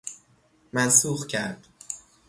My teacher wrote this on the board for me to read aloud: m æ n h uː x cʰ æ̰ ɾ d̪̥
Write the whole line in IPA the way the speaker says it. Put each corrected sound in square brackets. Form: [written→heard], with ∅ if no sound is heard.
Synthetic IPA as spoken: m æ n [h→s] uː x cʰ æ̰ ɾ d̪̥